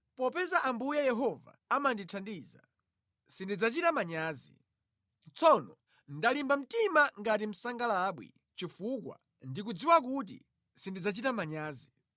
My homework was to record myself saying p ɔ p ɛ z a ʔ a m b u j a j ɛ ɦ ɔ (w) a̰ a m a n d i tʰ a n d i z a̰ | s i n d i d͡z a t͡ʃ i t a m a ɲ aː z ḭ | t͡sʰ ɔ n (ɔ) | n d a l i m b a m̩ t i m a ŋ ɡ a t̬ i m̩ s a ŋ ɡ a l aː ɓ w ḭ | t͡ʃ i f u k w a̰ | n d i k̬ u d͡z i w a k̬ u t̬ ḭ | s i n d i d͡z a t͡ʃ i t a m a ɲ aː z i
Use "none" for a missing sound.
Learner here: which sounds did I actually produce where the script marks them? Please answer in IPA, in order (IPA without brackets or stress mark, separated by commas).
v, ɔ